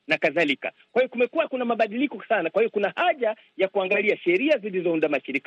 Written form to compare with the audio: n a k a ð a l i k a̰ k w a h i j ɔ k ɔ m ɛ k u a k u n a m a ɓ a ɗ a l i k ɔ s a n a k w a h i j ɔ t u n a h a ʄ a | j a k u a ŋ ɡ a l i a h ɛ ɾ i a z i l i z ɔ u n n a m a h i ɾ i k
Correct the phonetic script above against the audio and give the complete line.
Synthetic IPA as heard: n a k a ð a l i k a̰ k w a h i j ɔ k u m ɛ k u a k u n a m a ɓ a ɗ i l i k ɔ s a n a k w a h i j ɔ k u n a h a ʄ a | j a k u a ŋ ɡ a l i a ʃ ɛ ɾ i a z i l i z ɔ u n d a m a ʃ i ɾ i k